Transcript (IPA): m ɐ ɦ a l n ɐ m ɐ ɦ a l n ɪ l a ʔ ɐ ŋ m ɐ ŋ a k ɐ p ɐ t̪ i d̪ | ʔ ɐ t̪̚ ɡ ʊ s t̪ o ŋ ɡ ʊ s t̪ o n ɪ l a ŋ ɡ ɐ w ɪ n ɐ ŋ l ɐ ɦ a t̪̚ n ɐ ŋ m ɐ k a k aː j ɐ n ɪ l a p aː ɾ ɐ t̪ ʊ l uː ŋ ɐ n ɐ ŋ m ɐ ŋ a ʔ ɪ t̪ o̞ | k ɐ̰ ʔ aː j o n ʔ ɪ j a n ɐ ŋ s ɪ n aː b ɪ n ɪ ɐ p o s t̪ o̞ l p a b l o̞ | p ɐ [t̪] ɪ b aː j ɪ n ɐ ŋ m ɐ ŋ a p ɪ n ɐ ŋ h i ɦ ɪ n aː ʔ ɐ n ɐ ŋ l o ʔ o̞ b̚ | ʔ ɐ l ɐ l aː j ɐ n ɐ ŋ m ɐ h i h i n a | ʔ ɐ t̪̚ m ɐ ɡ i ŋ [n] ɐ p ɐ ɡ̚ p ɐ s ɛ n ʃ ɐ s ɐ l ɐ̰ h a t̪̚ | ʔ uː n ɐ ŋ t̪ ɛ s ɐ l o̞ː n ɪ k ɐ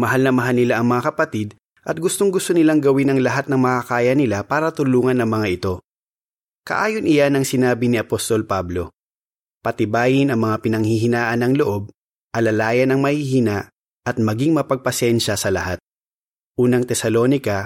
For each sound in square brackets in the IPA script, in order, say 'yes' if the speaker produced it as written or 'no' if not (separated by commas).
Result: yes, no